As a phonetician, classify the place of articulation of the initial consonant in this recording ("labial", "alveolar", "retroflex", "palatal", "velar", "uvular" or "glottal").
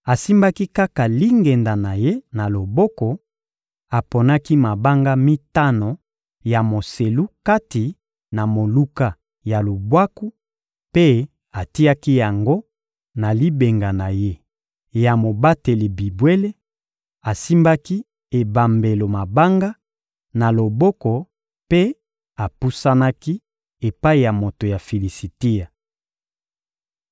alveolar